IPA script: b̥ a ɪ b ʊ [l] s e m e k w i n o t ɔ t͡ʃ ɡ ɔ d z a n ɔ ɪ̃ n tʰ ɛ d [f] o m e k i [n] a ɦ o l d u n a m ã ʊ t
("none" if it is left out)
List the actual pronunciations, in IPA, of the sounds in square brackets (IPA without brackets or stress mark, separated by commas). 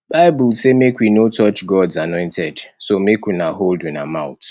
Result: l, s, n